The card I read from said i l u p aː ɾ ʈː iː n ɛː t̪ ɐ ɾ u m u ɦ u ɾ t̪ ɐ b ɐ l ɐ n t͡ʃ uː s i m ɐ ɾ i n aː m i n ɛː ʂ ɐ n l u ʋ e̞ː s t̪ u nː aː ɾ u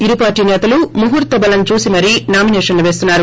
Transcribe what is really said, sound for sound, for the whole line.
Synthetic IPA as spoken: i ɾ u p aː ɾ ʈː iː n ɛː t̪ ɐ l u m u ɦ u ɾ t̪ ɐ b ɐ l ɐ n t͡ʃ uː s i m ɐ ɾ i n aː m i n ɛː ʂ ɐ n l u ʋ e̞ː s t̪ u nː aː ɾ u